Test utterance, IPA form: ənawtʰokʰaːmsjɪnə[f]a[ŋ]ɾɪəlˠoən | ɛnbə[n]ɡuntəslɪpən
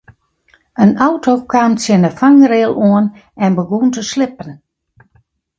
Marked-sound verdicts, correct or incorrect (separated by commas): correct, correct, incorrect